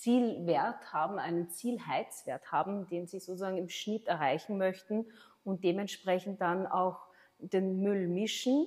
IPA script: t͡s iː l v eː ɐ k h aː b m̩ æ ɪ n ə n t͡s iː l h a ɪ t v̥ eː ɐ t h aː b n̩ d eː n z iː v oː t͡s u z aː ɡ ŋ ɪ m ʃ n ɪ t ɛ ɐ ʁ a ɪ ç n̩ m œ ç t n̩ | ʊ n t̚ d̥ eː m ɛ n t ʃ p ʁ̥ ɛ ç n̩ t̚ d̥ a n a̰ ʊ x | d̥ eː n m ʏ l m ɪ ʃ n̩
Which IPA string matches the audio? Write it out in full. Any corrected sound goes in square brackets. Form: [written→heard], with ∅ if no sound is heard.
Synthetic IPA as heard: t͡s iː l v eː ɐ [k→t] h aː b m̩ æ ɪ n ə n t͡s iː l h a ɪ [t→t͡s] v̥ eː ɐ t h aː b [n̩→m̩] d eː n z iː [v→z] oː t͡s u z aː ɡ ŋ ɪ m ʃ n ɪ t ɛ ɐ ʁ a ɪ ç n̩ m œ ç t n̩ | ʊ n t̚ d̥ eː m ɛ n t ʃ p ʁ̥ ɛ ç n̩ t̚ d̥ a n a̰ ʊ x | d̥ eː n m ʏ l m ɪ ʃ n̩